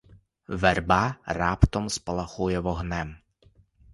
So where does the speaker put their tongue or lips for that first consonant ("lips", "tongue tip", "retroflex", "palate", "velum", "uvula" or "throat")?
lips